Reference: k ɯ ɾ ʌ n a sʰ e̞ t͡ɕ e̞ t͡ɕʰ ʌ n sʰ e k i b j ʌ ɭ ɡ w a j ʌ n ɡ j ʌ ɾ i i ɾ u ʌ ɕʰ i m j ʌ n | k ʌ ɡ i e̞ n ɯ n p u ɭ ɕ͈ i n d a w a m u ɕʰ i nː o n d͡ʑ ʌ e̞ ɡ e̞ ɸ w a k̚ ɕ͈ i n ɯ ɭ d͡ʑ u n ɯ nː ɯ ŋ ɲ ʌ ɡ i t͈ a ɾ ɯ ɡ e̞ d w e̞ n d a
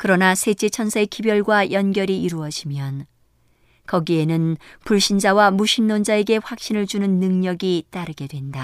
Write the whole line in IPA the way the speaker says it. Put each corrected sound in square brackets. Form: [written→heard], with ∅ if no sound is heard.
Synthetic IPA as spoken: k ɯ ɾ ʌ n a sʰ e̞ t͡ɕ e̞ t͡ɕʰ ʌ n sʰ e k i b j ʌ ɭ ɡ w a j ʌ n ɡ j ʌ ɾ i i ɾ u ʌ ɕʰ i m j ʌ n | k ʌ ɡ i e̞ n ɯ n p u ɭ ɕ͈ i n [d→d͡ʑ] a w a m u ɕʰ i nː o n d͡ʑ [ʌ→a] e̞ ɡ e̞ ɸ w a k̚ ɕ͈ i n ɯ ɭ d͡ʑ u n ɯ nː ɯ ŋ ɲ ʌ ɡ i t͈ a ɾ ɯ ɡ e̞ d w e̞ n d a